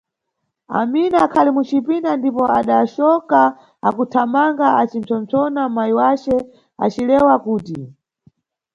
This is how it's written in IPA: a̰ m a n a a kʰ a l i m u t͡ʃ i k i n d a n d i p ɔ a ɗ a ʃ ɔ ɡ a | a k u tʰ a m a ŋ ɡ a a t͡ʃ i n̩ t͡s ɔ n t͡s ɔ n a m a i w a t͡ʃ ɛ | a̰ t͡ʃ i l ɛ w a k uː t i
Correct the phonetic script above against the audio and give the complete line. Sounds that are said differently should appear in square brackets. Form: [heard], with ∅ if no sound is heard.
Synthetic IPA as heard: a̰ m [i] n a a kʰ a l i m u t͡ʃ i [p] i n d a n d i p ɔ a ɗ a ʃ ɔ [k] a | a k u tʰ a m a ŋ ɡ a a t͡ʃ i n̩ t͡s ɔ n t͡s ɔ n a m a i w a t͡ʃ ɛ | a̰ t͡ʃ i l ɛ w a k uː t i